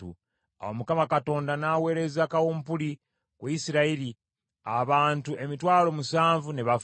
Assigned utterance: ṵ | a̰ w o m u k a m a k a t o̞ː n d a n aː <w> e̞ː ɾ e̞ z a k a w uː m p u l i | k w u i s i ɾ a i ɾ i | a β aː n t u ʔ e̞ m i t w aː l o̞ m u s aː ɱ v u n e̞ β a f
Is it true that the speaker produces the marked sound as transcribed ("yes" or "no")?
yes